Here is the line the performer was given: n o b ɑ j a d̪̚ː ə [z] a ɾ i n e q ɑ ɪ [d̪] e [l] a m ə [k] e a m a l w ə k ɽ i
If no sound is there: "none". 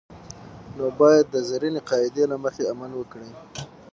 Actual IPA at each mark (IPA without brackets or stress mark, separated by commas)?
z, d̪, l, x